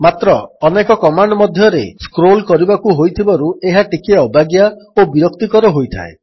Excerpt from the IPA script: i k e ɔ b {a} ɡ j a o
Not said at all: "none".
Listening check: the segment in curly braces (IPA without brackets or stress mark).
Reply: a